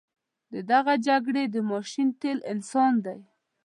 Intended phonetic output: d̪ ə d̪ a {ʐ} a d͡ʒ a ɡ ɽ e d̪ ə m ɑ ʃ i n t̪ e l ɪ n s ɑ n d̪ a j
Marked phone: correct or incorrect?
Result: incorrect